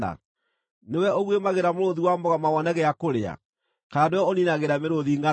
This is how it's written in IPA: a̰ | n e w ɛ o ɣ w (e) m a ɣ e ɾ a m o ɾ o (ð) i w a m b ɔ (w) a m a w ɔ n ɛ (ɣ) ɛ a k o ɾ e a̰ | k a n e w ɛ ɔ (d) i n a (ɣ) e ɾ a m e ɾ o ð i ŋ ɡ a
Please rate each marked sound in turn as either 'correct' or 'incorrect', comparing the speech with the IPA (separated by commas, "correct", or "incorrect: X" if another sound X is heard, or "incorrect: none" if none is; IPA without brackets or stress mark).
correct, correct, incorrect: ɣ, correct, incorrect: n, correct